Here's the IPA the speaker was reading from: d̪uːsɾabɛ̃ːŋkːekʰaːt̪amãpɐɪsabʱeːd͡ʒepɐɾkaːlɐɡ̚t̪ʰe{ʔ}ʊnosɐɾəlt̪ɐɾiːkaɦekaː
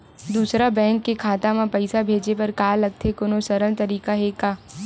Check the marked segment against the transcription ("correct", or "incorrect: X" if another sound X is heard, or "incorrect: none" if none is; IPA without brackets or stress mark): incorrect: k